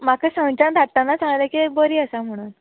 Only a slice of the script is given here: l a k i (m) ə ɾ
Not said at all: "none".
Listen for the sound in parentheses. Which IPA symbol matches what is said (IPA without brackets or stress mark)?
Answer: b